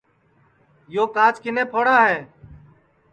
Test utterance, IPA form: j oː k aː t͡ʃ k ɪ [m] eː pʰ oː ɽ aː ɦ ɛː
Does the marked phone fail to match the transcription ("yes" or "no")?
yes